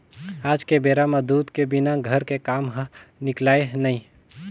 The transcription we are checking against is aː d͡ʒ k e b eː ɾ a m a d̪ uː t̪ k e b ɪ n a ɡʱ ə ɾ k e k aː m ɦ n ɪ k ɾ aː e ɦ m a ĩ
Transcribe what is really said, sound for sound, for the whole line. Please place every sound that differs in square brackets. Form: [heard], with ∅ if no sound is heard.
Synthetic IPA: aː d͡ʒ k e b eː ɾ a m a d̪ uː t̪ k e b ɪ n a ɡʱ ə ɾ k e k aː m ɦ n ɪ k [l] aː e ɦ [n] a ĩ